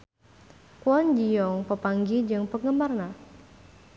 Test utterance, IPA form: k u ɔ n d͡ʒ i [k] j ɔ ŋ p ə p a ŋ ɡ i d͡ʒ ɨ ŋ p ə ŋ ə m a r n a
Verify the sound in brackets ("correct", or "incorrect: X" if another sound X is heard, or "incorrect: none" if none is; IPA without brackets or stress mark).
incorrect: none